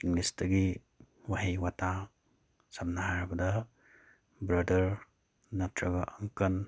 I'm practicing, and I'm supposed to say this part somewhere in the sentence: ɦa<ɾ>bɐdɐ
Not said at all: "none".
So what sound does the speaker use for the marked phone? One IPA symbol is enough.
ɾ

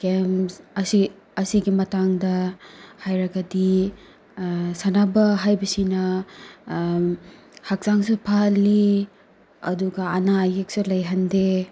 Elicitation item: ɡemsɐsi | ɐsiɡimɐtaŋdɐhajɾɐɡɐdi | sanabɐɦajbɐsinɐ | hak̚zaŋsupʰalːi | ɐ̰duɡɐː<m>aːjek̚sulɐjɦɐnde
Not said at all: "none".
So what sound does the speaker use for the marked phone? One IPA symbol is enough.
n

